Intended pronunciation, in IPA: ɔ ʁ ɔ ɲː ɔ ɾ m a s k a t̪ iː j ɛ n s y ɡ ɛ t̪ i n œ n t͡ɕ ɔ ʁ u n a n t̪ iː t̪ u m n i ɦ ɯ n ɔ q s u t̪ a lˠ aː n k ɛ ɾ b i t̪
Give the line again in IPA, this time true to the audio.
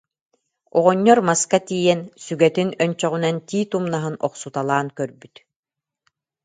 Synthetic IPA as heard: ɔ ʁ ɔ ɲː ɔ ɾ m a s k a t̪ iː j ɛ n s y ɡ ɛ t̪ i n œ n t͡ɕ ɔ ʁ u n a n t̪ iː t̪ u m n a ɦ ɯ n ɔ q s u t̪ a lˠ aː n k œ ɾ b y t̪